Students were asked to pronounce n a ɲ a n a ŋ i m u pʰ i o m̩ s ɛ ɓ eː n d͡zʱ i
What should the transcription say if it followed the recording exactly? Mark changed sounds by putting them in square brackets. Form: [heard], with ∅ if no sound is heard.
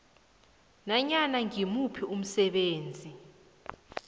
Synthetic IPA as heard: n a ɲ a n a ŋ i m u pʰ i [u] m̩ s ɛ ɓ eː n d͡zʱ i